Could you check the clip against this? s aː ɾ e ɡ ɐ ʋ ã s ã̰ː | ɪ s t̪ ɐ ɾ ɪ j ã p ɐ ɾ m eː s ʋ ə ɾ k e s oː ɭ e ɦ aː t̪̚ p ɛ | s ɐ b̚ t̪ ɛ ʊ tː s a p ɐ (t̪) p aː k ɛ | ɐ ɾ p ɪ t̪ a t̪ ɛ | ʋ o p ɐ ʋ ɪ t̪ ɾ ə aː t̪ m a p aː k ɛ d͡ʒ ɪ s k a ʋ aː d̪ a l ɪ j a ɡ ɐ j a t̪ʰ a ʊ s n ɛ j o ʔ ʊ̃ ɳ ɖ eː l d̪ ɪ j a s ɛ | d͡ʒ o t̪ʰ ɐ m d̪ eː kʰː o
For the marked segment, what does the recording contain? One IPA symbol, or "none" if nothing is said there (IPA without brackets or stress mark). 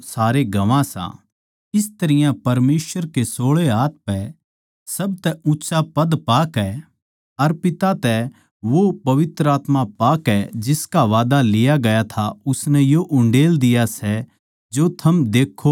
d̪